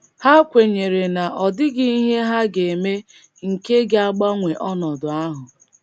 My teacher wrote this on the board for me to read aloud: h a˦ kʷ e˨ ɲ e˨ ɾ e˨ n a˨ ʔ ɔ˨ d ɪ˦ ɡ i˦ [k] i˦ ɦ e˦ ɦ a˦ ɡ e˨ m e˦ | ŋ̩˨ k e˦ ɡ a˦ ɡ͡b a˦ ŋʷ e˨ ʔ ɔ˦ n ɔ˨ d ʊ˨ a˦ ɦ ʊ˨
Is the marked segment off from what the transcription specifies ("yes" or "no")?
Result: yes